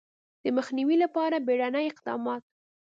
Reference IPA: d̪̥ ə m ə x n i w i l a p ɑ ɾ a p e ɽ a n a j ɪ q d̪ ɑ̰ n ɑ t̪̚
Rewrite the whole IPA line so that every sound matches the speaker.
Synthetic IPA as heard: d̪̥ ə m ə x n i w i l a p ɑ ɾ a b e ɽ a n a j ɪ q d̪ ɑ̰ m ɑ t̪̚